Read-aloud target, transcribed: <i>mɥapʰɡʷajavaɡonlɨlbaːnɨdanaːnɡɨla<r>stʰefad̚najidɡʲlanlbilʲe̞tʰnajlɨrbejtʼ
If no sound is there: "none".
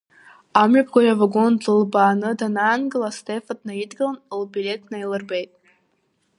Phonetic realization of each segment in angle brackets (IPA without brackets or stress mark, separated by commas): a, none